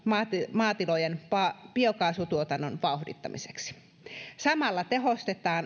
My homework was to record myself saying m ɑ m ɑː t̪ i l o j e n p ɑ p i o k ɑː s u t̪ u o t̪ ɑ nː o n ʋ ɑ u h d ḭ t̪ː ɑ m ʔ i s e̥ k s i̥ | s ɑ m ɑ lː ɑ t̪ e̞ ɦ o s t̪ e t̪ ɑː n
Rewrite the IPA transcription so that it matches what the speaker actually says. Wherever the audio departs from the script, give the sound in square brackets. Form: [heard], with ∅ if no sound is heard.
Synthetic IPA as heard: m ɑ m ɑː t̪ i l o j e n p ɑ p i o k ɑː s u t̪ u o t̪ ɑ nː o n ʋ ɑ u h d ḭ t̪ː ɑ m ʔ i s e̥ k s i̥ | s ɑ m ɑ lː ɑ t̪ e̞ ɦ o s t̪ e t̪ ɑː n